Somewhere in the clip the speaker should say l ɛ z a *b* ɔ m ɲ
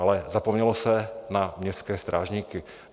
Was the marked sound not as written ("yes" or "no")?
yes